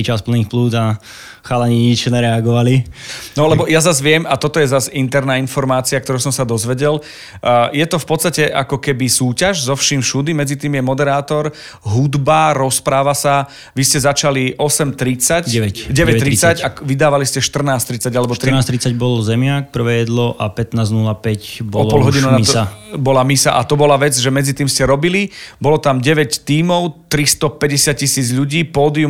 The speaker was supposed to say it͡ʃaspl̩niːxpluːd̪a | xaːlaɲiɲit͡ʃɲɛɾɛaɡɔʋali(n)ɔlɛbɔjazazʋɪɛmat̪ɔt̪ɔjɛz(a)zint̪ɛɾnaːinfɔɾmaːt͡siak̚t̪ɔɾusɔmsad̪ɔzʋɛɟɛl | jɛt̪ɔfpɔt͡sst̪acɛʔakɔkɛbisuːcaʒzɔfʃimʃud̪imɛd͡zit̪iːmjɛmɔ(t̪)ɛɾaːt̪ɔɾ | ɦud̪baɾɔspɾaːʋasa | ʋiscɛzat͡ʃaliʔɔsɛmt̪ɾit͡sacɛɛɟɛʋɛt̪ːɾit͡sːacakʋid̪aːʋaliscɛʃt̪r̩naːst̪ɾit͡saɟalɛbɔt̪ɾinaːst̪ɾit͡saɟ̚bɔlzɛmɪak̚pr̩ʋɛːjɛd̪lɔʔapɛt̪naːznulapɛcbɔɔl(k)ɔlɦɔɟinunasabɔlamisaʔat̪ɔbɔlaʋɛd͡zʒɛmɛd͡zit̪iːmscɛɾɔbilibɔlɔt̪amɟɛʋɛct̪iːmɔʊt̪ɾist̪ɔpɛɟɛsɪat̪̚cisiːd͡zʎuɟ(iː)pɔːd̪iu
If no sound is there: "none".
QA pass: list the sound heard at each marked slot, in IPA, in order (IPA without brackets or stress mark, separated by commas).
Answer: n, a, d̪, p, iː